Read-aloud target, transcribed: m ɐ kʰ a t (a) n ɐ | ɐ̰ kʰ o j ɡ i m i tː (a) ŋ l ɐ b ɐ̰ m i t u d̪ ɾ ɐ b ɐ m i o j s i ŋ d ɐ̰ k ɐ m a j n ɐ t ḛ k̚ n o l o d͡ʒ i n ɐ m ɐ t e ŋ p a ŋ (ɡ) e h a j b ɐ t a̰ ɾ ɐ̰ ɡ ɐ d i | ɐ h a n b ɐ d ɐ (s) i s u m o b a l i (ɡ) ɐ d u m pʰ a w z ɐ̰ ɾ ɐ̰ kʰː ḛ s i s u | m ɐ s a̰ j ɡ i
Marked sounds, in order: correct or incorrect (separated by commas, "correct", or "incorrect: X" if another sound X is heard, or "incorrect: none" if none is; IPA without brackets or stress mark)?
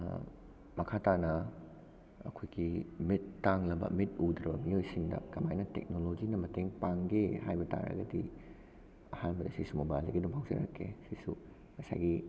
correct, correct, correct, correct, correct